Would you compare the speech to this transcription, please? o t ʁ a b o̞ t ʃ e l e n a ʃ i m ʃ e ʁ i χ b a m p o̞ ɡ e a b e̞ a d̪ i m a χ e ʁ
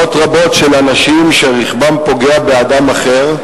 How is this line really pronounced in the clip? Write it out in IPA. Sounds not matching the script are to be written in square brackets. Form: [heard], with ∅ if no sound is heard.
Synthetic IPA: o t ʁ a b o̞ t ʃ e l [a] n a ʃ i m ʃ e ʁ i χ b a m p o̞ ɡ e a b e̞ a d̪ [a] m a χ e ʁ